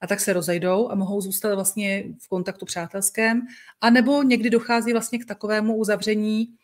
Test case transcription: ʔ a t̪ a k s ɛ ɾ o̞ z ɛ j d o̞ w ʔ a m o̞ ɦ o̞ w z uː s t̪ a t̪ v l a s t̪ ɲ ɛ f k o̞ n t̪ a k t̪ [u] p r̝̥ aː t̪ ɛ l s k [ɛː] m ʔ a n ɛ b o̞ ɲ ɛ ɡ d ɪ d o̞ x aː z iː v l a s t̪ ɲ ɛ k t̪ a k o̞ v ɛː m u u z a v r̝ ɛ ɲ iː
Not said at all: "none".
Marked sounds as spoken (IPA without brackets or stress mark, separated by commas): u, ɛː